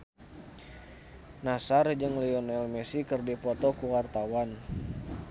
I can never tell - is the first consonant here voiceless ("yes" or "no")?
no